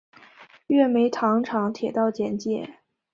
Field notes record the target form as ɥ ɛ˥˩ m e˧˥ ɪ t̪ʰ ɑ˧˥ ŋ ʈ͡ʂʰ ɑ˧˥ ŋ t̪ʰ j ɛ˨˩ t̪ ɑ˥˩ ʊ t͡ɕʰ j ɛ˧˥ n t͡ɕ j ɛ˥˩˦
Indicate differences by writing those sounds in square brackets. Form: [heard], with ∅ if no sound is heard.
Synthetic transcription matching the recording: ɥ ɛ˥˩ m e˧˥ ɪ t̪ʰ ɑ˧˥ ŋ ʈ͡ʂʰ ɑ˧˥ ŋ t̪ʰ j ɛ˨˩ t̪ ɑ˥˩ ʊ [t͡ɕ] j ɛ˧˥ n t͡ɕ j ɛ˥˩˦